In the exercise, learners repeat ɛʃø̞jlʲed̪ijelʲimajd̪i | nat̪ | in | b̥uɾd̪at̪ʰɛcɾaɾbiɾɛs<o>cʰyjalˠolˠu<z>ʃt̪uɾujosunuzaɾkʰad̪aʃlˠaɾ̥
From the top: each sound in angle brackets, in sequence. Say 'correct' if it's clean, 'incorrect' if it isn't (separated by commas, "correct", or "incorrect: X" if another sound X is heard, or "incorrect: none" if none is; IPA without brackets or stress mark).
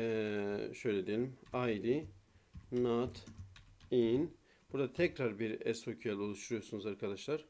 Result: correct, incorrect: none